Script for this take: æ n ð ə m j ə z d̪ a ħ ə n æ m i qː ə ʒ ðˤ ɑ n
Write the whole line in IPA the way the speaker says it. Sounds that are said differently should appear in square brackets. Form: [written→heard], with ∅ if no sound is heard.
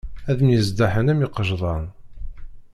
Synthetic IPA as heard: æ [n→∅] ð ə m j ə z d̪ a ħ ə n æ m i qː ə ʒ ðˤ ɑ n